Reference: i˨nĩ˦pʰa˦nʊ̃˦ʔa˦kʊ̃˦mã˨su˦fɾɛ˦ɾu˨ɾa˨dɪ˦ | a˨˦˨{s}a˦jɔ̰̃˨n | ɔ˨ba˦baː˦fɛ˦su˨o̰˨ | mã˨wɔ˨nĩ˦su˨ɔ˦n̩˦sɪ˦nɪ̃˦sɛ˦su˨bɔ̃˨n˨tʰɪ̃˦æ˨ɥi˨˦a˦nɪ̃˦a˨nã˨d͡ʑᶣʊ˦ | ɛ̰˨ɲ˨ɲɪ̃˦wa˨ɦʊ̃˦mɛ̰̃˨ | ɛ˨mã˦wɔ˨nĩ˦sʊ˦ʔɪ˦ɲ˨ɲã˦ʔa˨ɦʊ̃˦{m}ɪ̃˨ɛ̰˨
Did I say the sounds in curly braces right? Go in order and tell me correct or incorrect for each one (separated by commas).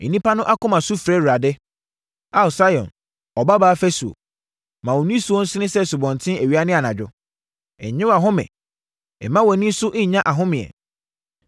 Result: correct, correct